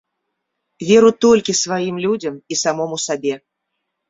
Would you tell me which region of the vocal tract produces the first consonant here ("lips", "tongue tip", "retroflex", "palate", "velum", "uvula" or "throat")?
lips